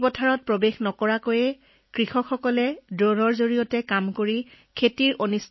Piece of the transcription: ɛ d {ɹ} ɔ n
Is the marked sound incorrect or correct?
correct